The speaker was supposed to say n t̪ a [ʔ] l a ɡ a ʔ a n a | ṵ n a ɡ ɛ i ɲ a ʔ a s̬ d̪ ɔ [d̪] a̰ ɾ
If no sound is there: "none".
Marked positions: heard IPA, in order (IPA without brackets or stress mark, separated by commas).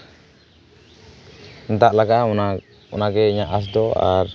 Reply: ʔ, none